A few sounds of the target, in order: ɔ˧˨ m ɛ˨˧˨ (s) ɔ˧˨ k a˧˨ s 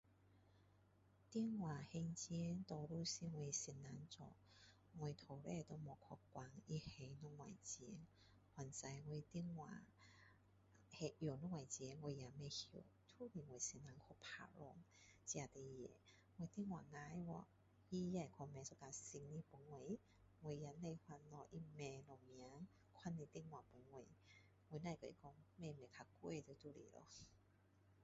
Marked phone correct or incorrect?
correct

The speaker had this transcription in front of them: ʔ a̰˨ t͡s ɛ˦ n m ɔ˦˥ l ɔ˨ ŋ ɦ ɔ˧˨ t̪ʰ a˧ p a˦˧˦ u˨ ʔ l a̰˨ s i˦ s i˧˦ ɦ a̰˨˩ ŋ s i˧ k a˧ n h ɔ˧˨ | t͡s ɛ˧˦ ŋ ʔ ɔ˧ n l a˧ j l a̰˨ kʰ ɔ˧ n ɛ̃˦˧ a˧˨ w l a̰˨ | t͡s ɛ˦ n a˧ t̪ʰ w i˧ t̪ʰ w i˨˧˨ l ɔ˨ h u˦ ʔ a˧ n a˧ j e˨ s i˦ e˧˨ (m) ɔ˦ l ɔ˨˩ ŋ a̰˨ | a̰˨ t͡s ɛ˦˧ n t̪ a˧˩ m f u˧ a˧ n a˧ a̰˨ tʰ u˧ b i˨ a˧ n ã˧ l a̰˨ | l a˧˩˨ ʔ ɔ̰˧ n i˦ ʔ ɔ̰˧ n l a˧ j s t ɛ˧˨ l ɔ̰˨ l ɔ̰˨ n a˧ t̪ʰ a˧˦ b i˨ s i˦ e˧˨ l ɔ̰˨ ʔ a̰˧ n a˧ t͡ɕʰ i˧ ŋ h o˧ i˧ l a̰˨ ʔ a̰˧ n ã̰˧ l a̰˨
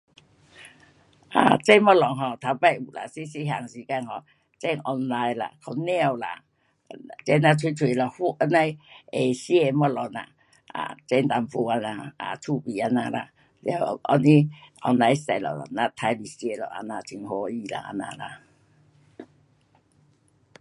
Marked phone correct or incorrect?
correct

